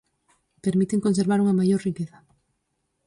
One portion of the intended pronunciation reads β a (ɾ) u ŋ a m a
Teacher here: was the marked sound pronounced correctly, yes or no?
yes